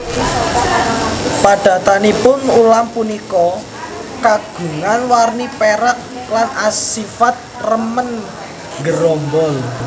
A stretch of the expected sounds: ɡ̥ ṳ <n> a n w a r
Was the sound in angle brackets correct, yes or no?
no